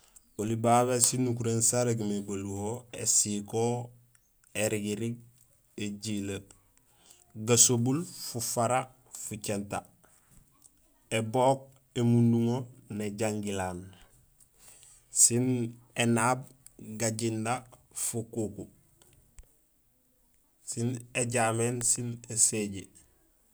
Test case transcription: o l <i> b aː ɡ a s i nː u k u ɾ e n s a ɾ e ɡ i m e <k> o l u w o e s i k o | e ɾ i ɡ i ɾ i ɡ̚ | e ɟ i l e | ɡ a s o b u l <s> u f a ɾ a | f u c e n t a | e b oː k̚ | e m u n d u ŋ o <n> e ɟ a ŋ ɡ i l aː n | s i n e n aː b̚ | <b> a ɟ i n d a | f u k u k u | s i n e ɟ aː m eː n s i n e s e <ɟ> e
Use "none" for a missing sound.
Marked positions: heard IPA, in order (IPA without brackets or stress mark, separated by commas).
i, ɡ, f, n, ɡ, ɟ